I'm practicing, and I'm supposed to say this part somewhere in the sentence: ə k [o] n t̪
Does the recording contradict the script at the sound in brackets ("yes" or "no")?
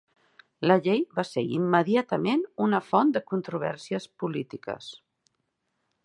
yes